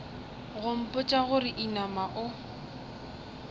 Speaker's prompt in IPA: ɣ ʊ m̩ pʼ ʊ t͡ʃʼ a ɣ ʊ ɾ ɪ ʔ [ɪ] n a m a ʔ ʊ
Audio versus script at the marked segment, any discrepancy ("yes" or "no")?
yes